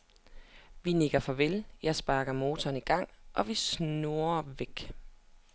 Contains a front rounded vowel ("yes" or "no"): no